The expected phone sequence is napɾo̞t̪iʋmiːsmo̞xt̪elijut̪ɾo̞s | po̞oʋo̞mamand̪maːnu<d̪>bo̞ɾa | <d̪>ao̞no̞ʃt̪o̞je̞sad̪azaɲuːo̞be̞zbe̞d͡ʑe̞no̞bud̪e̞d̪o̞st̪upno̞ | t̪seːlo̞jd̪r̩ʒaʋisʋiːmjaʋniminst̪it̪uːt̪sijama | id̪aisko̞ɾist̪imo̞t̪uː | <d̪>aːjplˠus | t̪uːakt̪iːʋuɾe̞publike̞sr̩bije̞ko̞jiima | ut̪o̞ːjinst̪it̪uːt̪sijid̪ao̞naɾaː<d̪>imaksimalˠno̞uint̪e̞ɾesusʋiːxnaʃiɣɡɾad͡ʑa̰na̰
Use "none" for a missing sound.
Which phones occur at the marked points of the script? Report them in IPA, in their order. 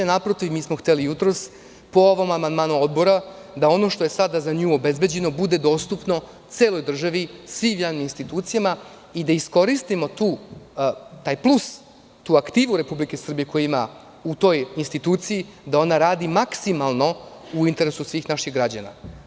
d̪, d̪, t̪, d̪

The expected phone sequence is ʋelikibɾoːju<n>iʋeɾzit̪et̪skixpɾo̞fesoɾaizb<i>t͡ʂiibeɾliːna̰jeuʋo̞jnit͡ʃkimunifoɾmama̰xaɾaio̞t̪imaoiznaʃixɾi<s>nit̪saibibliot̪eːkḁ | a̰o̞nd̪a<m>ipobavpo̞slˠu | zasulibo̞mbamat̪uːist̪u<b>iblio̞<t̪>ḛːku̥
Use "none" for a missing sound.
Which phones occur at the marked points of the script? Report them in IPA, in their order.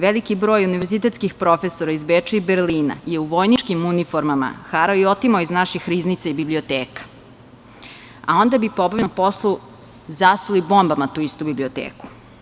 n, e, z, b, b, t̪

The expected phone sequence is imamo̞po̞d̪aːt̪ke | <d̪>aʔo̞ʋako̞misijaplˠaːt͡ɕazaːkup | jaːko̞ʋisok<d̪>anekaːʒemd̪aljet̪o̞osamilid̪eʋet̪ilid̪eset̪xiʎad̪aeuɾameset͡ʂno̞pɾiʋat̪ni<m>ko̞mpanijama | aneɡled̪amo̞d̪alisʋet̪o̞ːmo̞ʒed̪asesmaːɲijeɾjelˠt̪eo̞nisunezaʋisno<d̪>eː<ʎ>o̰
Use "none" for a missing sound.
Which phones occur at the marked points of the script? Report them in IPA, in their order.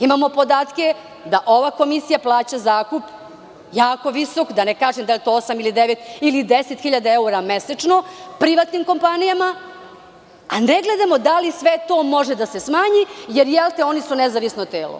d̪, d̪, m, t̪, l

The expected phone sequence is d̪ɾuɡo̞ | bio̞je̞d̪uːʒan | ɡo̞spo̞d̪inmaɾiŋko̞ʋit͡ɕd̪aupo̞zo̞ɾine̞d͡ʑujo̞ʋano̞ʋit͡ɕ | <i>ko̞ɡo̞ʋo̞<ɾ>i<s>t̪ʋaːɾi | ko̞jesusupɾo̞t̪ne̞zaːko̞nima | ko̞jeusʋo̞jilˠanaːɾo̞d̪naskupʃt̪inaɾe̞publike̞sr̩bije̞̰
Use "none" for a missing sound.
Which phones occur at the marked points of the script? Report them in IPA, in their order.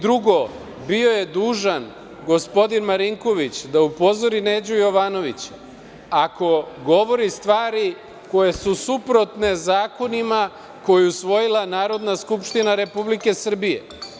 a, ɾ, s

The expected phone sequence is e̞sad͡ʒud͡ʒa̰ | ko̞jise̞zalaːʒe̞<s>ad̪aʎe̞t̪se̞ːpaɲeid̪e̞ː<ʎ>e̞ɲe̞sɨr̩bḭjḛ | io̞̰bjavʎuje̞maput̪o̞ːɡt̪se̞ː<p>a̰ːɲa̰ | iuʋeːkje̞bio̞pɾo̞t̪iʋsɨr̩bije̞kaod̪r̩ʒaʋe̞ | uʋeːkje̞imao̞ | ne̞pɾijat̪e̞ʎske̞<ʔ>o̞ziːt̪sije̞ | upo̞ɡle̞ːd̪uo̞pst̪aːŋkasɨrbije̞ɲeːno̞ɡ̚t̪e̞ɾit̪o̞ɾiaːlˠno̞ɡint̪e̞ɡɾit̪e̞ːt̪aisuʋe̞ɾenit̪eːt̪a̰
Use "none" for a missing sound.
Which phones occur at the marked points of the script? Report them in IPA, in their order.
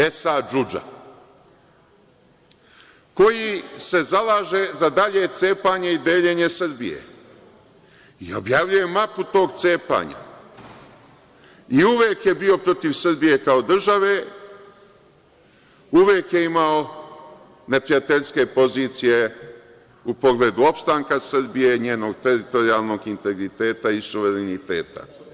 z, ʎ, p, p

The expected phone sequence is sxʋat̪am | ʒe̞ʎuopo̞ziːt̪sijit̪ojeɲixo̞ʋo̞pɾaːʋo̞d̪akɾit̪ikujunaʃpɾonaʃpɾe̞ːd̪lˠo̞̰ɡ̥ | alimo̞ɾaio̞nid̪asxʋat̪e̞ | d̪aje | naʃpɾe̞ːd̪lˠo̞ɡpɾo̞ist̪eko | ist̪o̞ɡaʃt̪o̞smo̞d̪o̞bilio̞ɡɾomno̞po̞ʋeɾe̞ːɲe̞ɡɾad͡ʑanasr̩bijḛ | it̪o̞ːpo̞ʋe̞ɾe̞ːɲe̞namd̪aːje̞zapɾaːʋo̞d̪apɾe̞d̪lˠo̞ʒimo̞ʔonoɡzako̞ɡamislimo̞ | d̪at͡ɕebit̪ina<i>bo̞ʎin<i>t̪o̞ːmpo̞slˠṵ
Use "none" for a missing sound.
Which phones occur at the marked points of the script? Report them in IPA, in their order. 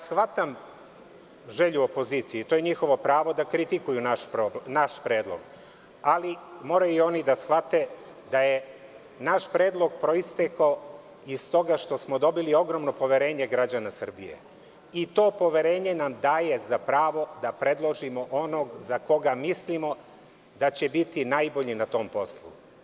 j, a

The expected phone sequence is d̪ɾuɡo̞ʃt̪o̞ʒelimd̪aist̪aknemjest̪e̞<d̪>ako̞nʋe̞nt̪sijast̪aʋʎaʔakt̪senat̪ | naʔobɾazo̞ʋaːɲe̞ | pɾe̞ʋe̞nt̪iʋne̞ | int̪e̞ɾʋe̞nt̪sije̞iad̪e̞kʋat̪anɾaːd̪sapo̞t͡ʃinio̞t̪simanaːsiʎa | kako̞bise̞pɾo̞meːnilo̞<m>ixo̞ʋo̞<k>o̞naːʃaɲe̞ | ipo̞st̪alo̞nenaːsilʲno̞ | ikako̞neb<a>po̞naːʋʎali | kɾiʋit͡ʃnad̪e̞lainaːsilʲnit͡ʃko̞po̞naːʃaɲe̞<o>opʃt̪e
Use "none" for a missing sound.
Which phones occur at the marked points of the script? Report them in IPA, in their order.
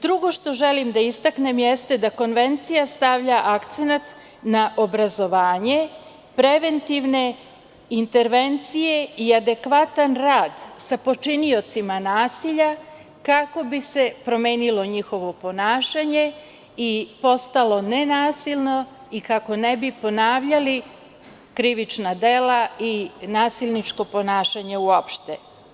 d̪, ɲ, p, i, u

